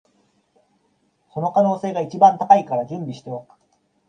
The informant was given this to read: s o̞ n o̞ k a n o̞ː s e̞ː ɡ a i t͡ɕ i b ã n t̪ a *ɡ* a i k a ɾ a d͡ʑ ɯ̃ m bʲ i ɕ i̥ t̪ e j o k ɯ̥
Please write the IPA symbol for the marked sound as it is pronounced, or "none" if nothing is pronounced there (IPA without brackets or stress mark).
k